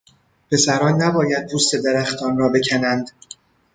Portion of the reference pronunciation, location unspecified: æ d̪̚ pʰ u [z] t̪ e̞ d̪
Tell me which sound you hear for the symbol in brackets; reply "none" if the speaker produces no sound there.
s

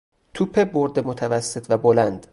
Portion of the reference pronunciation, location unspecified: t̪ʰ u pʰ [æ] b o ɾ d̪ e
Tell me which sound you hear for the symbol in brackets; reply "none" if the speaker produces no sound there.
e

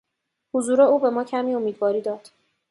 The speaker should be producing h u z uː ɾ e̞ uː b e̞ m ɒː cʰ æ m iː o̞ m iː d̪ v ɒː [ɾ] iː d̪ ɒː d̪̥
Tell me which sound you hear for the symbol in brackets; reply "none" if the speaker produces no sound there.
ɾ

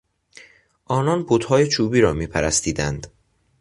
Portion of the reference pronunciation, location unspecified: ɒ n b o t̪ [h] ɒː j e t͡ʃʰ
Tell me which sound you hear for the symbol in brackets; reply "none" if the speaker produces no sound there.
h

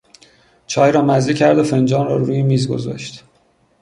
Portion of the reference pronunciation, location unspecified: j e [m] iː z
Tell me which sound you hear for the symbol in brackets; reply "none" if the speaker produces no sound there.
m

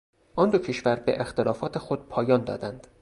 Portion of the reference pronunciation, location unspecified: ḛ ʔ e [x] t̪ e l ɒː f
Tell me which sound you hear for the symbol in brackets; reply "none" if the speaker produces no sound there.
x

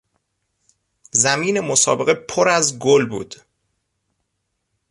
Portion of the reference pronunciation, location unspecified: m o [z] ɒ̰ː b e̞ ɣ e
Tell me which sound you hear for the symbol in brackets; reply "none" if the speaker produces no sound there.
s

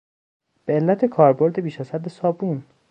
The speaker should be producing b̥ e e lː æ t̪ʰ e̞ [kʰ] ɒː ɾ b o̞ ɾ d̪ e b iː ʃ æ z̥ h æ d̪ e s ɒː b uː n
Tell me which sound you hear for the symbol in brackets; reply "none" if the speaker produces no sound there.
kʰ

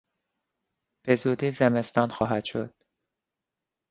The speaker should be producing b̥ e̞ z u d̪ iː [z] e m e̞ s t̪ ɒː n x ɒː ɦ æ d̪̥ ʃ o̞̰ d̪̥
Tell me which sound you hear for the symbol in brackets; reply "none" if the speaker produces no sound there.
z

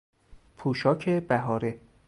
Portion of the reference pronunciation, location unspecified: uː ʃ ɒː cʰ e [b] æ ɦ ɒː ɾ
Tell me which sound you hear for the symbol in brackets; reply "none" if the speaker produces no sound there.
b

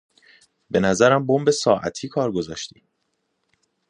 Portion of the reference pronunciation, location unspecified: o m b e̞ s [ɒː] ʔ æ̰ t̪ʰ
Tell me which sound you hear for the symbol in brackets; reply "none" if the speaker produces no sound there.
ɒː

